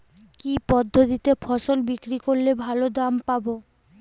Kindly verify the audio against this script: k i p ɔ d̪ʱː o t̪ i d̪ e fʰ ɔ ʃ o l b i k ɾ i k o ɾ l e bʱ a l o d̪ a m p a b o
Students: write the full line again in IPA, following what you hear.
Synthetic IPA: k i p ɔ d̪ʱː o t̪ i t̪ e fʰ ɔ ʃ o l b i k ɾ i k o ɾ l e bʱ a l o d̪ a m p a b o